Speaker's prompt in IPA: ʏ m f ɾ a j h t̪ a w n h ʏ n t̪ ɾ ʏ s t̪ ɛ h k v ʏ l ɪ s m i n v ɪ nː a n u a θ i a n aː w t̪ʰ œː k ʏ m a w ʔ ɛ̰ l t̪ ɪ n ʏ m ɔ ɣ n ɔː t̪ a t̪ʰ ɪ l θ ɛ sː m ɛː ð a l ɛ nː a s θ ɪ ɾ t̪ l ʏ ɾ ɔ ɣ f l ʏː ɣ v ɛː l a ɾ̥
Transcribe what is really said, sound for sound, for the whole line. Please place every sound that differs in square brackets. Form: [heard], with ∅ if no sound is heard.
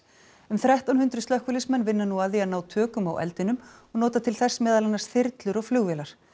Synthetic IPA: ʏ m [θ] ɾ a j h t̪ a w n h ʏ n t̪ ɾ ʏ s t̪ [œ] h k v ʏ l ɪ s m [ɛ] n v ɪ nː a n u a [ð] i a n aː w t̪ʰ œː k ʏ m a w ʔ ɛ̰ l t̪ ɪ n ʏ m ɔ ɣ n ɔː t̪ a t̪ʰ ɪ l θ ɛ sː m ɛː ð a l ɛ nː a s θ ɪ ɾ t̪ l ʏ ɾ ɔ ɣ f l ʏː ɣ v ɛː l a ɾ̥